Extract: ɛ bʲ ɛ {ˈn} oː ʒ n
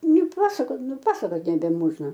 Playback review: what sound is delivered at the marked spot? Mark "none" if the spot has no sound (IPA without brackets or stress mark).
m